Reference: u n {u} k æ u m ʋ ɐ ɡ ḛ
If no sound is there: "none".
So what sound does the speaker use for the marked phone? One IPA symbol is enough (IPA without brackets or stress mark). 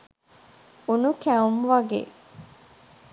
u